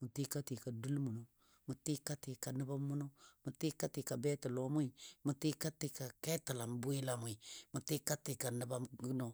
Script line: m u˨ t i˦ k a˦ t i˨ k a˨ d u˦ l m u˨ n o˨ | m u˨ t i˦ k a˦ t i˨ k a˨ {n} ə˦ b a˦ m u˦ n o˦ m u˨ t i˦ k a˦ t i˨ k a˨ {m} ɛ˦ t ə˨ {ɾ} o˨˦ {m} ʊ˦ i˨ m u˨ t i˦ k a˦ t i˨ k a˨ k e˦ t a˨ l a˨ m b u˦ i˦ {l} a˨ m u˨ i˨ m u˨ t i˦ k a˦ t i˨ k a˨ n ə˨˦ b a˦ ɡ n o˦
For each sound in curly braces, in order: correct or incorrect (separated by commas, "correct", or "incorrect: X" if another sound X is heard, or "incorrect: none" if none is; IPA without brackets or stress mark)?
correct, incorrect: b, incorrect: l, correct, correct